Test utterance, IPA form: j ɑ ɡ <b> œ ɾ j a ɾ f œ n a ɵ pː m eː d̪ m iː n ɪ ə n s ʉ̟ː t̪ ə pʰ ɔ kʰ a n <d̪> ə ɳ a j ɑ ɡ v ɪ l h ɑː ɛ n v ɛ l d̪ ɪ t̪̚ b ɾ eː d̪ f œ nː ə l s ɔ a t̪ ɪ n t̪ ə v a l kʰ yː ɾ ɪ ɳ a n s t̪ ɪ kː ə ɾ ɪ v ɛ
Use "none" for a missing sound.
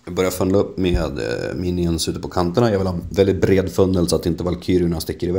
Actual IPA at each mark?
b, t̪

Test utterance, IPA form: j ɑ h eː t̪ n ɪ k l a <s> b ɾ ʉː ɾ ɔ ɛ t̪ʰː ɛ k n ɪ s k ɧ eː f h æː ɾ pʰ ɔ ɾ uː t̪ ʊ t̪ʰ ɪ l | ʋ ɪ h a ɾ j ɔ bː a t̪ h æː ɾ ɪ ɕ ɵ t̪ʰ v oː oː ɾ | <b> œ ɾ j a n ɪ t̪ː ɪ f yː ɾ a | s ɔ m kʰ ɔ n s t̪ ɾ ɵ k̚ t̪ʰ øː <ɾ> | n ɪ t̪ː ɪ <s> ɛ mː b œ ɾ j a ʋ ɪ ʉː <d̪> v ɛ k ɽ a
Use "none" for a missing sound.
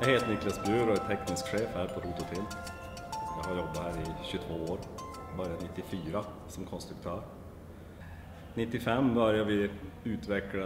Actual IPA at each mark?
s, b, ɾ, f, t̪

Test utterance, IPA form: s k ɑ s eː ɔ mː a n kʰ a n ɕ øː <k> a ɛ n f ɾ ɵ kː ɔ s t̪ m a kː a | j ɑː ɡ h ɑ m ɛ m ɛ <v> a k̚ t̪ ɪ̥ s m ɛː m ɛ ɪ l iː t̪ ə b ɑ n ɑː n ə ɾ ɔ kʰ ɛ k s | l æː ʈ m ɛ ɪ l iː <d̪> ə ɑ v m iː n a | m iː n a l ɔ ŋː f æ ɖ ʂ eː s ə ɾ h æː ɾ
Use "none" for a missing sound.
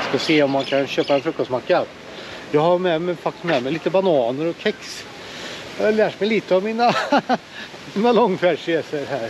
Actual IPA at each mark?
p, f, t̪

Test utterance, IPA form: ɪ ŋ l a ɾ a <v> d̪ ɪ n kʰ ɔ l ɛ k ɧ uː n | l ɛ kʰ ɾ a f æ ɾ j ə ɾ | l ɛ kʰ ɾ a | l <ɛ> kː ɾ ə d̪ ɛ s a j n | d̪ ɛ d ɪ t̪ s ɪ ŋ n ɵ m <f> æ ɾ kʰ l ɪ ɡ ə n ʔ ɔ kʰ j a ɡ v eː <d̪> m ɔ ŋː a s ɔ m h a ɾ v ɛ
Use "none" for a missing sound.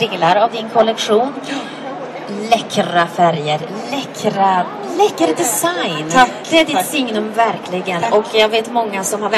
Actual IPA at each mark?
v, ɛ, v, t̪

